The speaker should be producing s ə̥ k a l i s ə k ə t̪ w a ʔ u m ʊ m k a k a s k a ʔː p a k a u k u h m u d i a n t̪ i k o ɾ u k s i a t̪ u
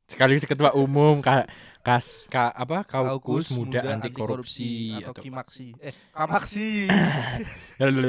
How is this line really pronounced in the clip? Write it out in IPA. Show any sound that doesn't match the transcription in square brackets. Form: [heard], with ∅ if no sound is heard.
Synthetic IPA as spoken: s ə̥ k a l i s ə k ə t̪ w a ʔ u m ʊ m k a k a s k a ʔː p a k a u k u [s] m u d [a] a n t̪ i k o ɾ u [p] s i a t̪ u